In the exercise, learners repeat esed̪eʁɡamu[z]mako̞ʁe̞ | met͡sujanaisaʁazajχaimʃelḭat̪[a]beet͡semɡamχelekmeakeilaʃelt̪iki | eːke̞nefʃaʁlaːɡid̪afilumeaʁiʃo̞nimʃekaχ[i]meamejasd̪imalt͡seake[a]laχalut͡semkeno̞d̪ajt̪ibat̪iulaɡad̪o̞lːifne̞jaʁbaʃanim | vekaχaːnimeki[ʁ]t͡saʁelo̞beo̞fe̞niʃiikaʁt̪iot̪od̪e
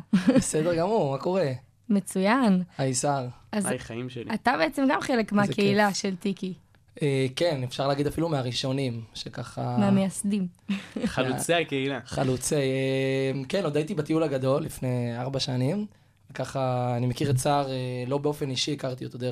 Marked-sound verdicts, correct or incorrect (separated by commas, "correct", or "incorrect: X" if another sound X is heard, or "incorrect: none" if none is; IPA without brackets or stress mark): incorrect: ʁ, correct, incorrect: a, incorrect: i, correct